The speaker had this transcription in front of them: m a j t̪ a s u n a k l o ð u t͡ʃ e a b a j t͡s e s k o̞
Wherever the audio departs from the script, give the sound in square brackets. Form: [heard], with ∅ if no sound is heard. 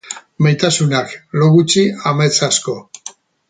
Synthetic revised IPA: m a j t̪ a s u n a k l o [ɣ] u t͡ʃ [i] a [m] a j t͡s [a] s k o̞